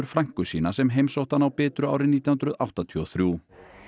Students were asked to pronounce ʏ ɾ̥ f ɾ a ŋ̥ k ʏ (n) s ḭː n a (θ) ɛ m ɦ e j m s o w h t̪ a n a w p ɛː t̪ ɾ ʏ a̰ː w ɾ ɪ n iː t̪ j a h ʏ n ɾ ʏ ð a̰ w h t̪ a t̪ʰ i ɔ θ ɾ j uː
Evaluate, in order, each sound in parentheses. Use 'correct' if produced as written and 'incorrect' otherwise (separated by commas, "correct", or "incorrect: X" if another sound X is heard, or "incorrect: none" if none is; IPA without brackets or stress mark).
incorrect: none, incorrect: s